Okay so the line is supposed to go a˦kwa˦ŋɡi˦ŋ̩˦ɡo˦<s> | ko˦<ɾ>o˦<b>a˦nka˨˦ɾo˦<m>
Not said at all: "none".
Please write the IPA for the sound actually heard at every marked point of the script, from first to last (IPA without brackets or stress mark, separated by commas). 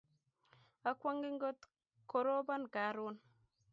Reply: t, ɾ, b, n